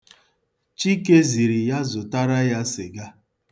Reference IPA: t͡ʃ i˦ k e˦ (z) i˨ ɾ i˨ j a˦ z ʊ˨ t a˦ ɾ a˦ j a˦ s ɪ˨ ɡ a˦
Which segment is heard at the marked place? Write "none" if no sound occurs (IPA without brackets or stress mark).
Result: z